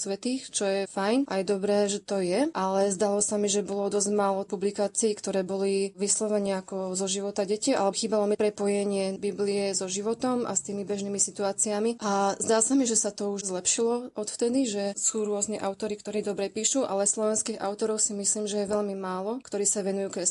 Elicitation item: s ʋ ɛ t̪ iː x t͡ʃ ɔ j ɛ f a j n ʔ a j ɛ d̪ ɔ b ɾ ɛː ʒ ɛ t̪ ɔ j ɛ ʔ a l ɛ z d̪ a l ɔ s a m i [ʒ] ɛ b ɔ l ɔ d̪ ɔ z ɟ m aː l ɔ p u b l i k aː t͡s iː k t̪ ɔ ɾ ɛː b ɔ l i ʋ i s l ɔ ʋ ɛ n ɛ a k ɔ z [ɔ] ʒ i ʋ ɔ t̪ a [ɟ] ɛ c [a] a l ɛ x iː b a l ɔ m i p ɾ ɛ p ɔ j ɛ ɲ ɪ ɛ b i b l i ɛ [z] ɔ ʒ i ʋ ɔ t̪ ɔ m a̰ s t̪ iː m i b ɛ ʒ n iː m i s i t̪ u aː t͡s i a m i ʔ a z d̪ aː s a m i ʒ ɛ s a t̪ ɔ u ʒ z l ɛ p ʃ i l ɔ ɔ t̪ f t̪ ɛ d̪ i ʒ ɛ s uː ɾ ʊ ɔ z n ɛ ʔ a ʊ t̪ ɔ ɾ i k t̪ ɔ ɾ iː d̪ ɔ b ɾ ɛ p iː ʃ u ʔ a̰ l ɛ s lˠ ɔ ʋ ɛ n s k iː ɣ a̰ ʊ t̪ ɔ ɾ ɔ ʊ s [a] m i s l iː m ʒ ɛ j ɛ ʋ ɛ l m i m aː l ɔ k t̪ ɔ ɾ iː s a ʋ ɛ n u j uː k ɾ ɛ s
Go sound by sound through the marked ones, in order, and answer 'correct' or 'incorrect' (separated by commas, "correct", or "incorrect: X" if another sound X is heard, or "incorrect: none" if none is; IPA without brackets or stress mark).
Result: correct, correct, correct, incorrect: i, correct, incorrect: i